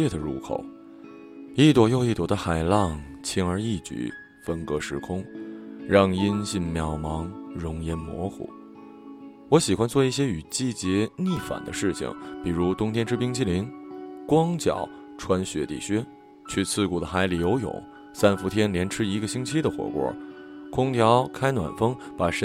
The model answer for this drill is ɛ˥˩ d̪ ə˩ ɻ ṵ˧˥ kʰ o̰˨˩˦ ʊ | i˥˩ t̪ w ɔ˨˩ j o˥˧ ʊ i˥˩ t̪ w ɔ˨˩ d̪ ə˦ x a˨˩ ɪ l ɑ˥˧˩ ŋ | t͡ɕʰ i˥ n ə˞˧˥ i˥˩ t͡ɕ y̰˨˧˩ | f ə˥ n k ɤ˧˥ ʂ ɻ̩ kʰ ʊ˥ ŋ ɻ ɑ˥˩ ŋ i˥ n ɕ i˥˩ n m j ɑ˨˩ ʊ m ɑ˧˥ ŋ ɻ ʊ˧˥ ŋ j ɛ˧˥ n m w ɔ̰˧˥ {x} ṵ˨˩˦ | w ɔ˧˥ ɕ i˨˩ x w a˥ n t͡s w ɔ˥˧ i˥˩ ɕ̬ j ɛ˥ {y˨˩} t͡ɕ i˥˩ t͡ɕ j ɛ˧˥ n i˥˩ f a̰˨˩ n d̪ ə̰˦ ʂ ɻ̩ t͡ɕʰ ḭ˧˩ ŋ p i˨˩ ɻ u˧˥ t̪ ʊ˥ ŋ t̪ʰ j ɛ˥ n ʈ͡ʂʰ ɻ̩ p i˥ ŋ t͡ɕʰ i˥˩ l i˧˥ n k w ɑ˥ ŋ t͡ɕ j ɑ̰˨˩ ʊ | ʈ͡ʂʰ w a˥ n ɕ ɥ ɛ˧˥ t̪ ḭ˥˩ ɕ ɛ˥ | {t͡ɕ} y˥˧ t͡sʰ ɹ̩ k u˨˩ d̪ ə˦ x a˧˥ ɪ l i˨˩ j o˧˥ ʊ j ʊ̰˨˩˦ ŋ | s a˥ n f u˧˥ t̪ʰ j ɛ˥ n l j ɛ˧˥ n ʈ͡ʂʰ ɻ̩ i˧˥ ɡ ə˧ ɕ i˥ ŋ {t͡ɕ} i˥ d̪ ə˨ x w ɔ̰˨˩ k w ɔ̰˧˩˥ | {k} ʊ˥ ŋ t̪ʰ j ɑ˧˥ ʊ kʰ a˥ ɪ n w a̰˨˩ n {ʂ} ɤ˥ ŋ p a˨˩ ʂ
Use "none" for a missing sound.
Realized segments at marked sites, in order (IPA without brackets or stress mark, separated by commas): x, y˨˩, t͡ɕʰ, t͡ɕʰ, kʰ, f